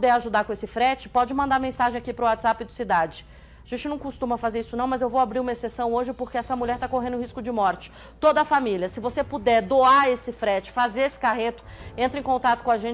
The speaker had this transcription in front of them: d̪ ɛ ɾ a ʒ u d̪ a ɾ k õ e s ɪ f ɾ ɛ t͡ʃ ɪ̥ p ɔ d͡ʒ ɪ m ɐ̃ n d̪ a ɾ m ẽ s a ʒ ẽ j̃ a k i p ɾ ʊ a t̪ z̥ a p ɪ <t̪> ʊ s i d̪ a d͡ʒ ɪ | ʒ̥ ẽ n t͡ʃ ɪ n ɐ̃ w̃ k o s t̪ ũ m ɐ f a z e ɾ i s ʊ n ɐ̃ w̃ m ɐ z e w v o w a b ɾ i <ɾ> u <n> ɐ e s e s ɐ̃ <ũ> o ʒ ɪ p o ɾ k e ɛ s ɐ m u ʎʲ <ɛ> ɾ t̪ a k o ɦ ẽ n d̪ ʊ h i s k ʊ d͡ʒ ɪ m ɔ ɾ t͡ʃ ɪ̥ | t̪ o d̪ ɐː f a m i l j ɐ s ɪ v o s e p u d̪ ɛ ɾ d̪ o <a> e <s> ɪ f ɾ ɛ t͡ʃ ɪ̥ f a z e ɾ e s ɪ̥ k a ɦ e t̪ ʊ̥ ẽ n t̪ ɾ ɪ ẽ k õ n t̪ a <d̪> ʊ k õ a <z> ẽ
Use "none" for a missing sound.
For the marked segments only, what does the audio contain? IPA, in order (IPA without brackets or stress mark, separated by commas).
d̪, ɾ, m, w̃, ɛ, a, s, t̪, ʒ